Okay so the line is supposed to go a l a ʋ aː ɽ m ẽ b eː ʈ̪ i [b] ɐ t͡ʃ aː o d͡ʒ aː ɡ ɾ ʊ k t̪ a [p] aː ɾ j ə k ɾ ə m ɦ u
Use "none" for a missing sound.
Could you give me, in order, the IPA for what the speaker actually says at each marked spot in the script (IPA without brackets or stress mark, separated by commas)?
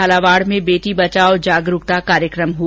b, k